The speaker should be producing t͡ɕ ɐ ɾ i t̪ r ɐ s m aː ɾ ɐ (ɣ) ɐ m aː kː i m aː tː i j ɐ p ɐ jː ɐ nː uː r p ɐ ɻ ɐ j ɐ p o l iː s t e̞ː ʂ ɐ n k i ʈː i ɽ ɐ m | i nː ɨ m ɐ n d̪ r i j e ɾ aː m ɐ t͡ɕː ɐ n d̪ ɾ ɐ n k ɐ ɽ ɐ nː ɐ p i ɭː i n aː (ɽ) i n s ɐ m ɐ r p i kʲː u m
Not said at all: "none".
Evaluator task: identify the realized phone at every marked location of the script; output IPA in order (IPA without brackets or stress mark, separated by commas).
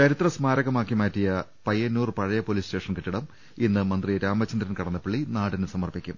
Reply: ɣ, ɽ